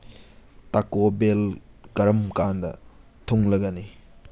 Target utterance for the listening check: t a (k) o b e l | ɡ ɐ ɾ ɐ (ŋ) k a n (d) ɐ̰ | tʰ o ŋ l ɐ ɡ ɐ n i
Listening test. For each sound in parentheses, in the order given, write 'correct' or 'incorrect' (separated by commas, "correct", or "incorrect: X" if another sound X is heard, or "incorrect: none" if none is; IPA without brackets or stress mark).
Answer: correct, incorrect: m, correct